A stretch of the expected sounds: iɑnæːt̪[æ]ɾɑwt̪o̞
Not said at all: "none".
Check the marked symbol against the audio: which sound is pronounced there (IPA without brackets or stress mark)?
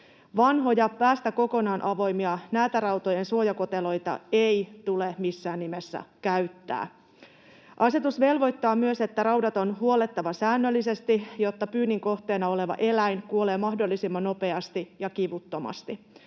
æ